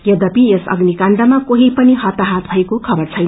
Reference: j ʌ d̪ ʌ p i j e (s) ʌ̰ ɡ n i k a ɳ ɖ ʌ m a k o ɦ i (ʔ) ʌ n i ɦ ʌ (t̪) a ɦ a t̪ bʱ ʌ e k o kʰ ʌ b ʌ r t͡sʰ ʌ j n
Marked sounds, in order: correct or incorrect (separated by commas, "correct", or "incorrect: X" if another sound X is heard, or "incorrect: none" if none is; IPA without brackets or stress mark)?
correct, incorrect: p, correct